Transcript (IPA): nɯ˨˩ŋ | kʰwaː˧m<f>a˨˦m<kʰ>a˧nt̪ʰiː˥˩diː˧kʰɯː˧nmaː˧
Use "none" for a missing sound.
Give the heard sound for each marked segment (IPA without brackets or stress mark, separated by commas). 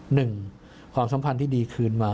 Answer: s, pʰ